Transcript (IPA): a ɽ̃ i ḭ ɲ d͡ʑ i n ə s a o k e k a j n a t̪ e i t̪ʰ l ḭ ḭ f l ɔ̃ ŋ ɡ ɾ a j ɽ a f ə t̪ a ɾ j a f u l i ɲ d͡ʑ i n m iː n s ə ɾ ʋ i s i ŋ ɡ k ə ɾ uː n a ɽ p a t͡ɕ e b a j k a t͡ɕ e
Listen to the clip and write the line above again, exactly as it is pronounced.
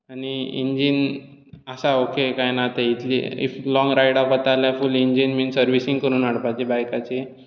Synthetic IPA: a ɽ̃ i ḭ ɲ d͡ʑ i n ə s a o k e k a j n a t̪ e i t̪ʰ l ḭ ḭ f l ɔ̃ ŋ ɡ ɾ a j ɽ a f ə t̪ a l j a f u l i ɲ d͡ʑ i n m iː n s ə ɾ ʋ i s i ŋ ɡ k ə ɾ uː n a ɽ p a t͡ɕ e b a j k a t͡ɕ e